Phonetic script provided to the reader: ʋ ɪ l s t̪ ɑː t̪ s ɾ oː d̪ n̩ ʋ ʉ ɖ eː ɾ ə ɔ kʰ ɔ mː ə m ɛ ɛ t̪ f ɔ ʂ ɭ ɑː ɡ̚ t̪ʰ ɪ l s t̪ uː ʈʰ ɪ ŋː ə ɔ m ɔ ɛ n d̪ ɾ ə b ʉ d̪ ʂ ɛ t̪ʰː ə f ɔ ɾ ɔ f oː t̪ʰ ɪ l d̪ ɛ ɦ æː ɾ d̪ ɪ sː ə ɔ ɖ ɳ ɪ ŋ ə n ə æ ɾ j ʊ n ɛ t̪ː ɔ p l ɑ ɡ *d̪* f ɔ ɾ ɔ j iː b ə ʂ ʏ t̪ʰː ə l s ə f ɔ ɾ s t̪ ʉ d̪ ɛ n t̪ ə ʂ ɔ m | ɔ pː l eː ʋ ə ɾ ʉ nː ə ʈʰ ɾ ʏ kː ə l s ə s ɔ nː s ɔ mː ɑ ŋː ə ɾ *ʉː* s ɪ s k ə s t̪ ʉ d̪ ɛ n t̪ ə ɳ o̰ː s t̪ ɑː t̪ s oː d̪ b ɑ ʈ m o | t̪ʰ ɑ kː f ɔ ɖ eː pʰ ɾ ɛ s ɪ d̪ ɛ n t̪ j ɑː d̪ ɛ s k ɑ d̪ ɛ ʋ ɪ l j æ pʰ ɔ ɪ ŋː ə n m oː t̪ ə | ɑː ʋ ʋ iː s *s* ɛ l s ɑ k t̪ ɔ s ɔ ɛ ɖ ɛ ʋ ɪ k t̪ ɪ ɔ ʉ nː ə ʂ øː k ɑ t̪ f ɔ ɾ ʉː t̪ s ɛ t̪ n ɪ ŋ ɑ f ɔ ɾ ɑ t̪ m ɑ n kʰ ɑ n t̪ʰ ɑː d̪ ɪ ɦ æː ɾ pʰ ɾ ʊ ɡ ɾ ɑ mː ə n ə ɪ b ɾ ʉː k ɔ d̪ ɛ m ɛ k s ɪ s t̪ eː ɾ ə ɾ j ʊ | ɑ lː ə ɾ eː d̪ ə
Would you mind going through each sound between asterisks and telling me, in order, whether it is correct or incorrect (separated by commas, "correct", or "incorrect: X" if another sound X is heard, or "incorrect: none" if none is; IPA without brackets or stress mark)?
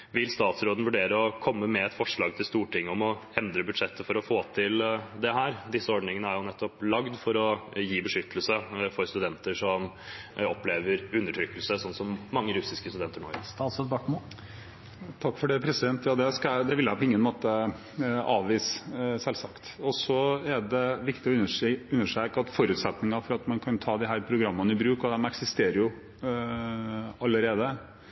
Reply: correct, incorrect: ʉ, correct